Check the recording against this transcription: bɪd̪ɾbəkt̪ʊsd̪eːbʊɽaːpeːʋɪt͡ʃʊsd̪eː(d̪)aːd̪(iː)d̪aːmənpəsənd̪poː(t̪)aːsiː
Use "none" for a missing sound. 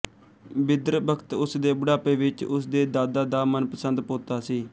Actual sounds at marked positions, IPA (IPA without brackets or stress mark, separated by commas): d̪, aː, t̪